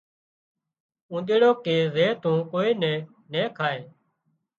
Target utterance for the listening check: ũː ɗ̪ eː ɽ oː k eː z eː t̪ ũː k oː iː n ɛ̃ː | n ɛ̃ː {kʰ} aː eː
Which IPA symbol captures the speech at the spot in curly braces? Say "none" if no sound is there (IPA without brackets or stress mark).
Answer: kʰ